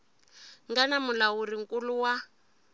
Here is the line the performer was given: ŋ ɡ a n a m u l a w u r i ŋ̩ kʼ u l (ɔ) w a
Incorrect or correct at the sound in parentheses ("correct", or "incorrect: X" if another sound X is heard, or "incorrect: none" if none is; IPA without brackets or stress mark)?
incorrect: u